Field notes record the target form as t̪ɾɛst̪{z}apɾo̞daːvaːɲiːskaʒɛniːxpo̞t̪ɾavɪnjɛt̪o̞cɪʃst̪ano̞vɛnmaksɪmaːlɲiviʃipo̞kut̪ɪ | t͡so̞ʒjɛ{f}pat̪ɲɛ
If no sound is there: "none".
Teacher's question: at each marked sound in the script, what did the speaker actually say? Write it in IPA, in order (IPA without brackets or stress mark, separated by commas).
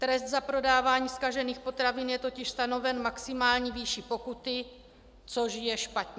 z, ʃ